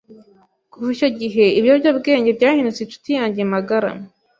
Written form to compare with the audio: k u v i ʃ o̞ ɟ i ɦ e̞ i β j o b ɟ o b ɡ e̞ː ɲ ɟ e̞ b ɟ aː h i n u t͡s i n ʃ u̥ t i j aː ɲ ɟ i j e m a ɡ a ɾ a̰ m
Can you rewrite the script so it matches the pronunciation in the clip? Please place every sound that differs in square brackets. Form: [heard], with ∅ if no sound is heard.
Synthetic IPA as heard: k u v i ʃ o̞ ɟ i ɦ e̞ i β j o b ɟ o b ɡ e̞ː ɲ ɟ e̞ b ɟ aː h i n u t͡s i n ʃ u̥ t i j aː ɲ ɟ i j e m a ɡ a ɾ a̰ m